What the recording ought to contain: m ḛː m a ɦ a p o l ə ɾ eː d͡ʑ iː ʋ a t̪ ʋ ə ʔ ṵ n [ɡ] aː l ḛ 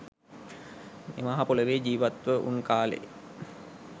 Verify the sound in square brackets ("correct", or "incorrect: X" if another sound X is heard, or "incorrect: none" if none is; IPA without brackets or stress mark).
incorrect: k